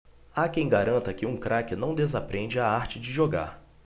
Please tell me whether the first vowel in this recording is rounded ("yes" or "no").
no